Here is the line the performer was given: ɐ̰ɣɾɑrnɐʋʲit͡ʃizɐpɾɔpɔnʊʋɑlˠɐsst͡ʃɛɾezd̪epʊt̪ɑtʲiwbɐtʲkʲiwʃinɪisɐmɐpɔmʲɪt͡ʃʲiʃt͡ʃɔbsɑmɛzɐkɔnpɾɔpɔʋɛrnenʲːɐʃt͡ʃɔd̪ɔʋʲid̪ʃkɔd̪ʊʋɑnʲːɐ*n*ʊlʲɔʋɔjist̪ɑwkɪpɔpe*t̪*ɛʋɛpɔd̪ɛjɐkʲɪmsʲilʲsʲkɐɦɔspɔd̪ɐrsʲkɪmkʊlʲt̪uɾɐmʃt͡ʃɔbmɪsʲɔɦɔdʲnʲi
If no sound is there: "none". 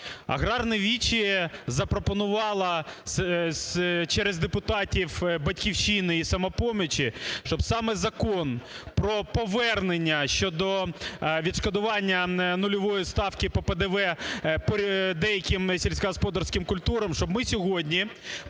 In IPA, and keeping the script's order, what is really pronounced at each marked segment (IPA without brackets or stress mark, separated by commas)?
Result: n, d̪